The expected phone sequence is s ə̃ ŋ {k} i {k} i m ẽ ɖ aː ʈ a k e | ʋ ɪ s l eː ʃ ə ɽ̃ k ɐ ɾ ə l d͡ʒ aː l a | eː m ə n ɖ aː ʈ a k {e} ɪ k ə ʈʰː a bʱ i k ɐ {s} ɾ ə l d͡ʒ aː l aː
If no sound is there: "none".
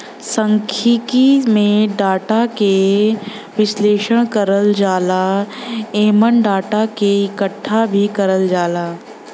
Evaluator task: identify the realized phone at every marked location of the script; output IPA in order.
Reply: kʰ, k, e, none

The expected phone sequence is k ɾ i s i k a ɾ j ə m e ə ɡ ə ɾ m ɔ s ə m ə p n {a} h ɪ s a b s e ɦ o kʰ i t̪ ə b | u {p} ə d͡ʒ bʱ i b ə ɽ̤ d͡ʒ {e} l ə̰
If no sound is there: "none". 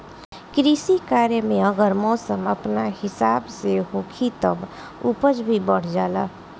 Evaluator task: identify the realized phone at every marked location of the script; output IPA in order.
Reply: a, p, a

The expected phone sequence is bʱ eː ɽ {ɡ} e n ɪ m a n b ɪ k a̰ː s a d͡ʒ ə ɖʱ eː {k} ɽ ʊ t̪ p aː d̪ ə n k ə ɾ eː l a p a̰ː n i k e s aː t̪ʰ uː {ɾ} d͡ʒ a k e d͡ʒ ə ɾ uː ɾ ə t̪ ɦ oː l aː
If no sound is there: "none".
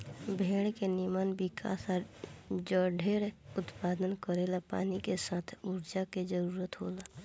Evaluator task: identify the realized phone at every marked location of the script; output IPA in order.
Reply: k, none, ɾ

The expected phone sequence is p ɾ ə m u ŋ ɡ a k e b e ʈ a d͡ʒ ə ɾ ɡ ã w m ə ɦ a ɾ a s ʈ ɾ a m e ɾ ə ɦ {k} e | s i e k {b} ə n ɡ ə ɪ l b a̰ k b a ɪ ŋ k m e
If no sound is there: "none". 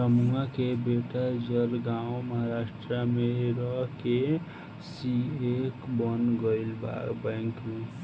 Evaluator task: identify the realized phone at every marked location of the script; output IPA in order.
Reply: k, b

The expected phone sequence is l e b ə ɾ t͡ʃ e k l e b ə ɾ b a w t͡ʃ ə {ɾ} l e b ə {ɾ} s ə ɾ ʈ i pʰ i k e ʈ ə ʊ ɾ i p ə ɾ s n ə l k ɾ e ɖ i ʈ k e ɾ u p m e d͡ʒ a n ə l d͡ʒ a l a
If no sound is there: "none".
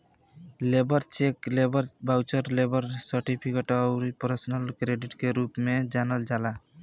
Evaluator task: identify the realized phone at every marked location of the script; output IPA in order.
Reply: ɾ, ɾ

